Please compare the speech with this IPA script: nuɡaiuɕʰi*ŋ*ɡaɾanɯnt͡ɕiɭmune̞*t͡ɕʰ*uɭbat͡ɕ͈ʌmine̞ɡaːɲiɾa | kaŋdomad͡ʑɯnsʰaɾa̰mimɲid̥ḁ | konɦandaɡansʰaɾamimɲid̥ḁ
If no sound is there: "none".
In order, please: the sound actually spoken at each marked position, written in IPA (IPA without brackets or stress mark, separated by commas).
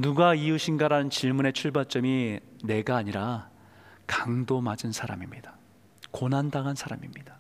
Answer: n, t͡ɕʰ